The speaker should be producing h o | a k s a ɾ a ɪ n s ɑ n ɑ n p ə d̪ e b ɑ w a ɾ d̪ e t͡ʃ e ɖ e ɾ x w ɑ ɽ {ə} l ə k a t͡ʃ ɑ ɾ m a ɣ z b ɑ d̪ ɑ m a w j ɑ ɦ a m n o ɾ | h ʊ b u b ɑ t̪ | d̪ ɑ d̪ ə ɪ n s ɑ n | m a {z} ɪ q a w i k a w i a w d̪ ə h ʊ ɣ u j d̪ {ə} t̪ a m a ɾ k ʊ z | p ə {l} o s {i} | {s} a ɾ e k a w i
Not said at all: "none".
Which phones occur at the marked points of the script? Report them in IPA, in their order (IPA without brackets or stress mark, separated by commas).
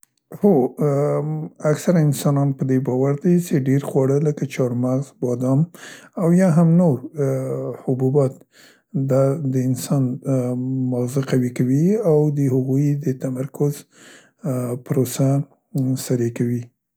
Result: ə, z, ə, ɾ, a, s